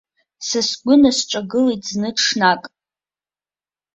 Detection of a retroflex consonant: present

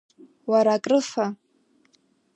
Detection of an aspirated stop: absent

